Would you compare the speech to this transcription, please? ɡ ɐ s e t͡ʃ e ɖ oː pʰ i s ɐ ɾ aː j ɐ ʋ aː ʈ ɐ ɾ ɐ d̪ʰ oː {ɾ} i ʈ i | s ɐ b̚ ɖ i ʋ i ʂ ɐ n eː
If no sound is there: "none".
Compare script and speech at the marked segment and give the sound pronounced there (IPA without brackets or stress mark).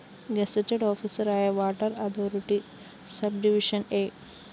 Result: ɾ